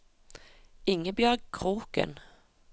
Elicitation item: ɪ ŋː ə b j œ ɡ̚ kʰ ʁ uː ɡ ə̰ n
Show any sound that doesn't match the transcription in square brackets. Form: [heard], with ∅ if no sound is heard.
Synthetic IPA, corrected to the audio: ɪ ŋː ə b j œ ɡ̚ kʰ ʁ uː [k] ə̰ n